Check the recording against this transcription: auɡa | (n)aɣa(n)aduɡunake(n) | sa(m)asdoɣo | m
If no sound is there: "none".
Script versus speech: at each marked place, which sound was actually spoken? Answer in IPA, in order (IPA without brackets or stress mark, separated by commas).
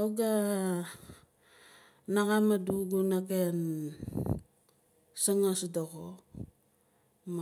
n, m, n, ŋ